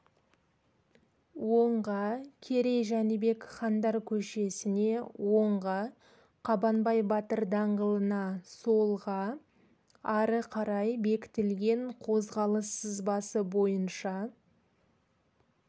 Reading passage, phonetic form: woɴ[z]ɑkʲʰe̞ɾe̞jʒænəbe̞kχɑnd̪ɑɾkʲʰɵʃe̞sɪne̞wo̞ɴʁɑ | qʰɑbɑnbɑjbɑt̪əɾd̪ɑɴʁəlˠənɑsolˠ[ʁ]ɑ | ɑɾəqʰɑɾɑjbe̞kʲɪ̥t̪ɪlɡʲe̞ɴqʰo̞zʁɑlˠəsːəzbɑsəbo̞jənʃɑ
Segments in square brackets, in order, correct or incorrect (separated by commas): incorrect, correct